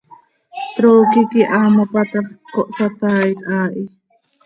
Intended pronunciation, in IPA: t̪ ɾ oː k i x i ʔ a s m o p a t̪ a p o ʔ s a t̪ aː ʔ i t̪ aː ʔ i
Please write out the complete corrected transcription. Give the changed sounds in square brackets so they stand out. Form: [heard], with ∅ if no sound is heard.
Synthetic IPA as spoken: t̪ ɾ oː k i [k] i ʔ a [∅] m o p a t̪ a [k] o ʔ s a t̪ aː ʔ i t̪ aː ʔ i